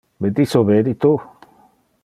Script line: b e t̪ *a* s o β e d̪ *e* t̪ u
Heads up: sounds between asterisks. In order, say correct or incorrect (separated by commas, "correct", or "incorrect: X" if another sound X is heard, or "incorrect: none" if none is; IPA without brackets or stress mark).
incorrect: i, incorrect: i